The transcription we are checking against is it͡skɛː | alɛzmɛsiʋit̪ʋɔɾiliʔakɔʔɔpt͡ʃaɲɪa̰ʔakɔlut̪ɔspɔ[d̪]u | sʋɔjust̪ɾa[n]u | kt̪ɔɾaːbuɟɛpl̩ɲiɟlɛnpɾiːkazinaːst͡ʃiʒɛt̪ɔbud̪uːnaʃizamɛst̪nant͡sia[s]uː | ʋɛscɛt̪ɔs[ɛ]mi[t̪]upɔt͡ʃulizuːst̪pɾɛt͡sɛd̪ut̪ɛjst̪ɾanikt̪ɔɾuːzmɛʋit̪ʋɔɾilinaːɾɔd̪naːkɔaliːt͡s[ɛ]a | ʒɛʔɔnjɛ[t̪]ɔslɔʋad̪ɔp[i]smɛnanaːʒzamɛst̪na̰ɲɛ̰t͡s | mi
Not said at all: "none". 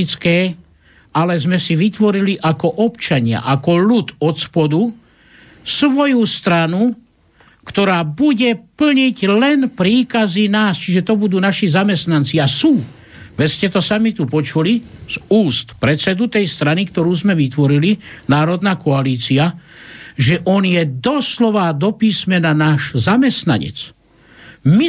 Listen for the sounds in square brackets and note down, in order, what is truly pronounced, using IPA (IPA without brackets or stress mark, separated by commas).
d̪, n, s, a, t̪, i, d̪, iː